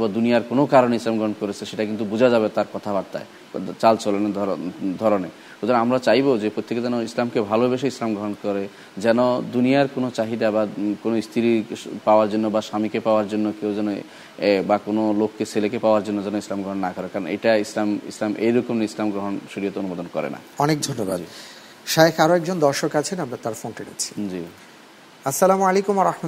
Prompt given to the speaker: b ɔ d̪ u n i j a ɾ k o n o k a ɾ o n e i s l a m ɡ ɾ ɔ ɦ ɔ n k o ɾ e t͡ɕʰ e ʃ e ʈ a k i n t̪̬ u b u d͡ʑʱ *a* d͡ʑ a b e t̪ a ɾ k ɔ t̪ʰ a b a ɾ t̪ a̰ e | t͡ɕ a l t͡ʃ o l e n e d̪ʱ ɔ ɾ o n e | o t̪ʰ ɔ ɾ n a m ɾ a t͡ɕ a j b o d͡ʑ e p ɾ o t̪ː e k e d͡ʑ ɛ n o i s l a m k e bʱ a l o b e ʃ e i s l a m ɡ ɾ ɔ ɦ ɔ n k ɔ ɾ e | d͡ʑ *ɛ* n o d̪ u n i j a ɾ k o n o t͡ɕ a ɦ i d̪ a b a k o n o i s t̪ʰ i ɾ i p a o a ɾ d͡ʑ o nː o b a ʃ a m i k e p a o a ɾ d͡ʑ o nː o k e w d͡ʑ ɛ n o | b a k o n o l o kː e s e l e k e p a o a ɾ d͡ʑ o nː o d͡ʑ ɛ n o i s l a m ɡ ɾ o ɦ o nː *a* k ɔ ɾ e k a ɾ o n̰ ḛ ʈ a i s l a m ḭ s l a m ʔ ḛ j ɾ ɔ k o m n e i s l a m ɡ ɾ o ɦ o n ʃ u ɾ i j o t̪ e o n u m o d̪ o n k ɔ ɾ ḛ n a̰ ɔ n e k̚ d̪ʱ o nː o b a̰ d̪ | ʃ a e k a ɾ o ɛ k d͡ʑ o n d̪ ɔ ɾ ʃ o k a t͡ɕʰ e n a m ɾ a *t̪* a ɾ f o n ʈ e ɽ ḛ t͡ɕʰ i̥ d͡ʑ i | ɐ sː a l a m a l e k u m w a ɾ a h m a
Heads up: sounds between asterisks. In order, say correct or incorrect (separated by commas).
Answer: correct, correct, correct, correct